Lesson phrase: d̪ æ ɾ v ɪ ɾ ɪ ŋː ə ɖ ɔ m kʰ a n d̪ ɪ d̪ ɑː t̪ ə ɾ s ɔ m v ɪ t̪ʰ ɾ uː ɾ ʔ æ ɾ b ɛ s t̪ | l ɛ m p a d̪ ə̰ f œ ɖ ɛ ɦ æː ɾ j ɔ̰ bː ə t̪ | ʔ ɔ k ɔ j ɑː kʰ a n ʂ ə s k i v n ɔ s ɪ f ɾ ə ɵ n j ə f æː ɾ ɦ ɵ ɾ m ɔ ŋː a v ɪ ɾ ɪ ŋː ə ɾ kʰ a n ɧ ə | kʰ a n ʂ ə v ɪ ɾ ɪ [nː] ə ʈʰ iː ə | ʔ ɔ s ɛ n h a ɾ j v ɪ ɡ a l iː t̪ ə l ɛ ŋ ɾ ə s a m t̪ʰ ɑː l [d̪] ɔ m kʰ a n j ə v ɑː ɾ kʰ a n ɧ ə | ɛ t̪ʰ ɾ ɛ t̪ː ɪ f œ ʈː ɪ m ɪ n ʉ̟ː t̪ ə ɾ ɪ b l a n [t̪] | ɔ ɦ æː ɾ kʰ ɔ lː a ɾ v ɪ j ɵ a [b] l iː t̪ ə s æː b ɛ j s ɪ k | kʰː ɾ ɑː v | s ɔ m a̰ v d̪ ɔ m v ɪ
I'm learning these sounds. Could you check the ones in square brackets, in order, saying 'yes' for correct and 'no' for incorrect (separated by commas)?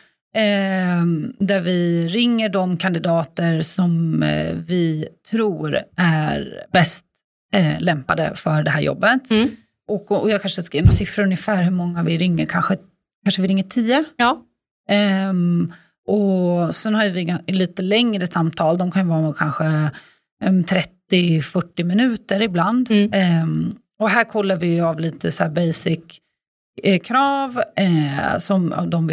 no, yes, no, no